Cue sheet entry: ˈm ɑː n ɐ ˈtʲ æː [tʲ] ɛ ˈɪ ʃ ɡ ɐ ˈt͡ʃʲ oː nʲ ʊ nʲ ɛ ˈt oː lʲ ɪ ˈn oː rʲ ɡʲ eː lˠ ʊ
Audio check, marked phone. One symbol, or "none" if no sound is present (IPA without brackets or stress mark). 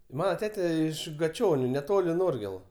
tʲ